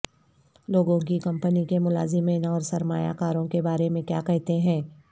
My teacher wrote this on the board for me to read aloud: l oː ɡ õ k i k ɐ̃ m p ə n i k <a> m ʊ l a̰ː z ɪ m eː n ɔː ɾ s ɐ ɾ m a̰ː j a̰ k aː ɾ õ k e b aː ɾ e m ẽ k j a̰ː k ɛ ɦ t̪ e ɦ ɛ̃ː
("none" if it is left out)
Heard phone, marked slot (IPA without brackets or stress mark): e